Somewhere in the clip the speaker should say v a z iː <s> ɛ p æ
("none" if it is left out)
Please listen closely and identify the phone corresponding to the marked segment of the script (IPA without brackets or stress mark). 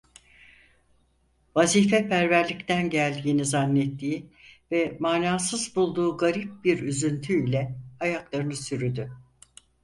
f